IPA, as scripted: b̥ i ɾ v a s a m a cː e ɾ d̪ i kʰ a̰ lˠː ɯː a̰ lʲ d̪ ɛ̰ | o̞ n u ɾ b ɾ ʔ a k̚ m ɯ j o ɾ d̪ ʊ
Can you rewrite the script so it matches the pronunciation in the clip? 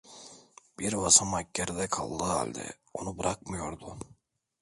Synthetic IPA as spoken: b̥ i ɾ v a s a m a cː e ɾ d̪ ɛ kʰ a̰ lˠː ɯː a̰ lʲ d̪ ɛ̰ | o̞ n u b ɾ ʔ a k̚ m ɯ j o ɾ d̪ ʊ